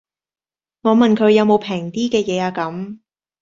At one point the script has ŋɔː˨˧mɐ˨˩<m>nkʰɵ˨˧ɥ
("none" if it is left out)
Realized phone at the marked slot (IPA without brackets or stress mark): none